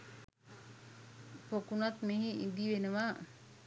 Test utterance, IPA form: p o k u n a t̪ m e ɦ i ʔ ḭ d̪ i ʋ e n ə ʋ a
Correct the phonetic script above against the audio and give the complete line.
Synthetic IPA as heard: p o k u n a t̪ m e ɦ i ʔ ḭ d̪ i ʋ e n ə ʋ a